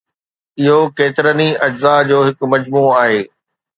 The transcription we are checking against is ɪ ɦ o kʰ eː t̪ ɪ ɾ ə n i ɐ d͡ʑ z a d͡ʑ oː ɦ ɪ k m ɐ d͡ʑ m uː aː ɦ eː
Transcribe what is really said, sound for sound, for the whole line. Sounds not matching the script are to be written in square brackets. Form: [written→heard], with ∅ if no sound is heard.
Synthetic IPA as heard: ɪ ɦ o [kʰ→k] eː t̪ ɪ ɾ ə n i ɐ d͡ʑ z a d͡ʑ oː ɦ ɪ k m ɐ d͡ʑ m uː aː ɦ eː